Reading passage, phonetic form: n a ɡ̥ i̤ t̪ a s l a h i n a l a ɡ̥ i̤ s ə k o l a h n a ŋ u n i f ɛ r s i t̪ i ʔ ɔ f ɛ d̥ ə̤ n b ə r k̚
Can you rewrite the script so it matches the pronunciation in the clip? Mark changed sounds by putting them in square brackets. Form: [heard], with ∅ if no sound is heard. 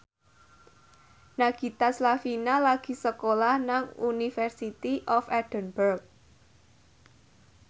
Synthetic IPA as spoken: n a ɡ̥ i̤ t̪ a s l a [f] i n a l a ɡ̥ i̤ s ə k o l a h n a ŋ u n i f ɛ r s i t̪ i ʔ ɔ f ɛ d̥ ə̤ n b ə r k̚